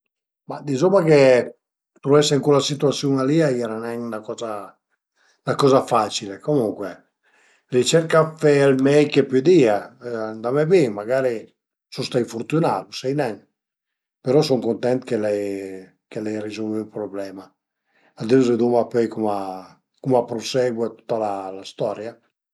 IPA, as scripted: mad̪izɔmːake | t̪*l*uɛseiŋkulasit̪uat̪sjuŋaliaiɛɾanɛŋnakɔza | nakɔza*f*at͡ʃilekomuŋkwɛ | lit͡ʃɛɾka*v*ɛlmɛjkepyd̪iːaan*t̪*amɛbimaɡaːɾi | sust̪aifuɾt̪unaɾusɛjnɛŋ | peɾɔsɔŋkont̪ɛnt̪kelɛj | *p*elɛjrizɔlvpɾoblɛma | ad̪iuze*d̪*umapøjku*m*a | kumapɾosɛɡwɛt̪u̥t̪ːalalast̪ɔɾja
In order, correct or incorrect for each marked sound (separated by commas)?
incorrect, correct, incorrect, incorrect, incorrect, correct, correct